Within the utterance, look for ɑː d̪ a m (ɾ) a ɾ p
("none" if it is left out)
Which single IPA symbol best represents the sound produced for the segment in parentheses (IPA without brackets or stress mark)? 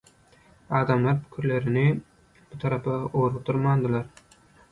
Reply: l